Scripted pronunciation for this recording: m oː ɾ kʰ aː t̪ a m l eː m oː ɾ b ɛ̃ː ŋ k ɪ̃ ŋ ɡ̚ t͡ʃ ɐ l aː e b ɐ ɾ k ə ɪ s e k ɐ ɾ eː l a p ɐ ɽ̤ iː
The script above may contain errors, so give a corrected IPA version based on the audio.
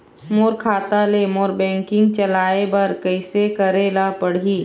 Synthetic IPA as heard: m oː ɾ kʰ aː t̪ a l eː m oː ɾ b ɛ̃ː ŋ k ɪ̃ ŋ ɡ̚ t͡ʃ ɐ l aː e b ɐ ɾ k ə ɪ s e k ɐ ɾ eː l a p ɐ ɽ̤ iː

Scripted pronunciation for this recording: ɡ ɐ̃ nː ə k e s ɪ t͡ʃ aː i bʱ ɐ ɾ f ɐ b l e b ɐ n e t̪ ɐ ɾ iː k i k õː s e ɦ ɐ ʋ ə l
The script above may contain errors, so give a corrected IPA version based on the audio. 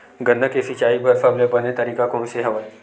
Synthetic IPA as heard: ɡ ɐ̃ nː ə k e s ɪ t͡ʃ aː i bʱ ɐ ɾ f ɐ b l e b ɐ n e t̪ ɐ ɾ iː k a k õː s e ɦ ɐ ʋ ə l

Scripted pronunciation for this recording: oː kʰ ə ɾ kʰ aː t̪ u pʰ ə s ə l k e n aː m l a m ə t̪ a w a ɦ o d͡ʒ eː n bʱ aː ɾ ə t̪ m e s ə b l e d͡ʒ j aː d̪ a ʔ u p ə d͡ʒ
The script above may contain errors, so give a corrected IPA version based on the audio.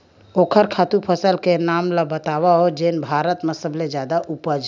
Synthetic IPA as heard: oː kʰ ə ɾ kʰ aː t̪ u pʰ ə s ə l k e n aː m l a b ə t̪ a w a ɦ o d͡ʒ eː n bʱ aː ɾ ə t̪ m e s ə b l e d͡ʒ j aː d̪ a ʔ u p ə d͡ʒ

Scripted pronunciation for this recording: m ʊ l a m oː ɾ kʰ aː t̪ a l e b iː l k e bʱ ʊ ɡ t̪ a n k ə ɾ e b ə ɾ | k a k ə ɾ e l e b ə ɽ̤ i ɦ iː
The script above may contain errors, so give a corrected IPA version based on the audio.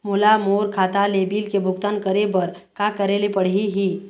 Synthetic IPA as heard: m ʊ l a m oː ɾ kʰ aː t̪ a l e b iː l k e bʱ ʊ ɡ t̪ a n k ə ɾ e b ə ɾ | k a k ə ɾ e l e p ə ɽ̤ i ɦ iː

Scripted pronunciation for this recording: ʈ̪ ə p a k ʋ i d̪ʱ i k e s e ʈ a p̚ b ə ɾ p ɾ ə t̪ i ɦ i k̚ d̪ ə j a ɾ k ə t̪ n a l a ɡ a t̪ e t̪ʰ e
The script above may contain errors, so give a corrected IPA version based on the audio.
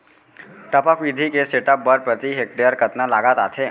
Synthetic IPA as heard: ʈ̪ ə p a k ʋ i d̪ʱ i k e s e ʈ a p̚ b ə ɾ p ɾ ə t̪ i ɦ e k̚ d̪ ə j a ɾ k ə t̪ n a l a ɡ a t̪ a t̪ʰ e

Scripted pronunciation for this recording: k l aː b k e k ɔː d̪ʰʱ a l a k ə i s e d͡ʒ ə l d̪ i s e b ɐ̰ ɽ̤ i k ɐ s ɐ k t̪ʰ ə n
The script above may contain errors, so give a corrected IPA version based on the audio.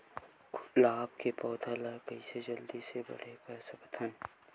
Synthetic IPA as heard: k l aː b k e p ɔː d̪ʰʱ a l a k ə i s e d͡ʒ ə l d̪ i s e b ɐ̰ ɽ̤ e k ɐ s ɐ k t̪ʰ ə n

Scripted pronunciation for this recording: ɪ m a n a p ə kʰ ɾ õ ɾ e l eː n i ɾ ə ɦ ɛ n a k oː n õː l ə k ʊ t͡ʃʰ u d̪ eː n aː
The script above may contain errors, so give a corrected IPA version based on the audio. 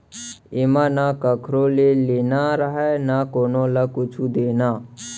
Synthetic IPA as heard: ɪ m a n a k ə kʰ ɾ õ l e l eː n a ɾ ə ɦ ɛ n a k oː n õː l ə k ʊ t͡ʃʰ u d̪ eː n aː

